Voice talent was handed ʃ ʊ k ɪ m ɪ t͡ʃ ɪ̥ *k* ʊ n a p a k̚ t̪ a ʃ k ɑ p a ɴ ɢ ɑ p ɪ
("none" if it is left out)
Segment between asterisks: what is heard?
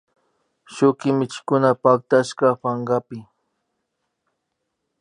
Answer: k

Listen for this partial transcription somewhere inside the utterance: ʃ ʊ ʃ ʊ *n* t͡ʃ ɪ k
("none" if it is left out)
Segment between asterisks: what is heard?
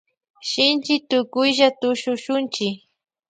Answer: n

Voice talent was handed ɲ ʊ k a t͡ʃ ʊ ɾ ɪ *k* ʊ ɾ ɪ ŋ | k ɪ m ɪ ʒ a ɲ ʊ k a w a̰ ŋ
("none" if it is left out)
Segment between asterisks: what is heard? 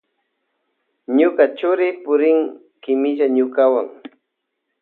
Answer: p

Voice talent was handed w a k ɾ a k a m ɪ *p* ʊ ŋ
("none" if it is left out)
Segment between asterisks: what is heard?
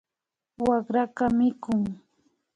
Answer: k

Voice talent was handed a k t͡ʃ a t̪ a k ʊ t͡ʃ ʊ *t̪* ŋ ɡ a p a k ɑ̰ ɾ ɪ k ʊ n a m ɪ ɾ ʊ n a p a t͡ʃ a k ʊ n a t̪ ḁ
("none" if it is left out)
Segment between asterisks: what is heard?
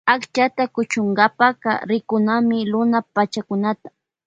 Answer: none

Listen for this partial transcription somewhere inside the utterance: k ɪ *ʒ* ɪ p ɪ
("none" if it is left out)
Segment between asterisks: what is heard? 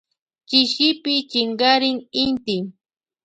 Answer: ʃ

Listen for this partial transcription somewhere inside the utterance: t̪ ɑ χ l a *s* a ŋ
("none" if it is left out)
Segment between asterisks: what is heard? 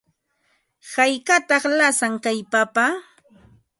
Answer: s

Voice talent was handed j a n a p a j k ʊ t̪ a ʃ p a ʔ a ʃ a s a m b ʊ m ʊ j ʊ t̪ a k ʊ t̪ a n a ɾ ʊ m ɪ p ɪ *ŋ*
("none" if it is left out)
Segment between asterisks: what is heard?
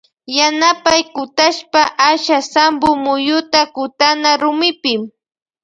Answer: m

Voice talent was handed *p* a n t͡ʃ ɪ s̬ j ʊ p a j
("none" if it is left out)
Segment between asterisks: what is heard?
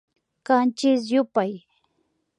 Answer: k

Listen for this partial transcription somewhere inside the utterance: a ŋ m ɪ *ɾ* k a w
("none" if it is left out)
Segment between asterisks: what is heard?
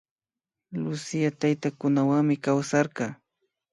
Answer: none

